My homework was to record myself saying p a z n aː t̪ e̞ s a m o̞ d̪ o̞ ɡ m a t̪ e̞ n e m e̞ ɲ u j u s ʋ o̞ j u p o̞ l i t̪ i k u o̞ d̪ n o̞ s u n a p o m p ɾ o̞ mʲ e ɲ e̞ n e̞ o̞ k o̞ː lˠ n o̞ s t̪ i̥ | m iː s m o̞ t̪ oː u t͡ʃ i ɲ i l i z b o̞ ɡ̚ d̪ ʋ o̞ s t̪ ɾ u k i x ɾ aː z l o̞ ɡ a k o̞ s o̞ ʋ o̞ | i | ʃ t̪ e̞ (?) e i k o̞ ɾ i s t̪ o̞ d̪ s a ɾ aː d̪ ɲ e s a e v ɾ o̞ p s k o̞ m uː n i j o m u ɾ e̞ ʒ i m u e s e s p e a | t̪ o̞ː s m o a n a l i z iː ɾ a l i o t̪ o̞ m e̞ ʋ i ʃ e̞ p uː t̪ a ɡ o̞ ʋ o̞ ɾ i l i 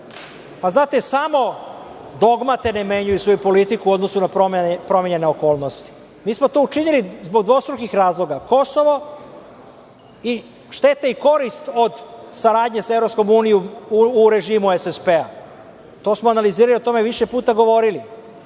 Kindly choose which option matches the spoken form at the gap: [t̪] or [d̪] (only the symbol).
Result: t̪